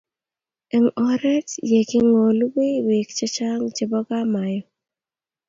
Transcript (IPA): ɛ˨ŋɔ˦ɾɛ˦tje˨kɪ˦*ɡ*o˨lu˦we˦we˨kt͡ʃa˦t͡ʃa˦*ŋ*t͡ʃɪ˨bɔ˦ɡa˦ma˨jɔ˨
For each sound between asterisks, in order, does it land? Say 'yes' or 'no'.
no, yes

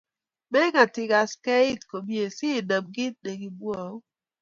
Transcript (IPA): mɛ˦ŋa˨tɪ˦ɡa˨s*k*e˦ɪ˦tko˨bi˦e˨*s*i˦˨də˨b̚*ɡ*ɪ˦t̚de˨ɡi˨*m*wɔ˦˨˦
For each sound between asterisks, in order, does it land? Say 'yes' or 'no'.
yes, yes, yes, no

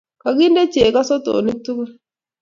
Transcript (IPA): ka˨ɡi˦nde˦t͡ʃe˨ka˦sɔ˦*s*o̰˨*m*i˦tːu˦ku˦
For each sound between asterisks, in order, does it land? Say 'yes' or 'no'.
no, no

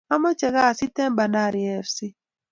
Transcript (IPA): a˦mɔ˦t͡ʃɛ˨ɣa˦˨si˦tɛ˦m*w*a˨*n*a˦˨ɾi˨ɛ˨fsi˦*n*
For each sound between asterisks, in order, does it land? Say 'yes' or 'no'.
no, yes, no

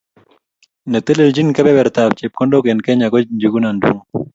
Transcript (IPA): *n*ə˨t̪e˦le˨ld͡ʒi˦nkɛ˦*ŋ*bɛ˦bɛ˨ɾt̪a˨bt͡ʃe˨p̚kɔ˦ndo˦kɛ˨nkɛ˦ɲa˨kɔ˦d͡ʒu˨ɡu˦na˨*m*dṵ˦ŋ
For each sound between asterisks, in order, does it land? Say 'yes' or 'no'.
yes, no, no

